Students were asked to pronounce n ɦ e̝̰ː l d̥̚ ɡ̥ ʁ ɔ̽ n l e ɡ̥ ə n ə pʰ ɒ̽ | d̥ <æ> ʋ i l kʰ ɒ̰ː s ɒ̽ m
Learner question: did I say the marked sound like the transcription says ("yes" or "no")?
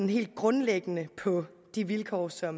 no